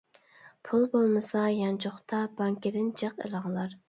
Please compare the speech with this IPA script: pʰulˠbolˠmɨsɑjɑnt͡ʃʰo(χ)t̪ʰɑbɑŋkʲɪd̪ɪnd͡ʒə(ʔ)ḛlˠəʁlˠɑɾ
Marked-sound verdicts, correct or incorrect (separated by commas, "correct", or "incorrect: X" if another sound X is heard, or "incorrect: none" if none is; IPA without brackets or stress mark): correct, incorrect: q